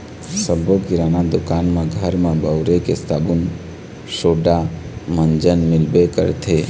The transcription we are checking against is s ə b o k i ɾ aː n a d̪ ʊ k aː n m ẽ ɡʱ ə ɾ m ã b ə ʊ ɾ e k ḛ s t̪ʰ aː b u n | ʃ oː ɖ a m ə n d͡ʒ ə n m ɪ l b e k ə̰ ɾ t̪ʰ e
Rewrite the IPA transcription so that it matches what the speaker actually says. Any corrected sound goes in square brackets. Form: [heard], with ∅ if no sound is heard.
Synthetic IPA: s ə b o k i ɾ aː n a d̪ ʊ k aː n m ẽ ɡʱ ə ɾ m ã b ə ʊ ɾ e k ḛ s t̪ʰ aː b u n | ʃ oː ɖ a m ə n d͡ʒ ə n m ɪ l b e k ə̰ ɾ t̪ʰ e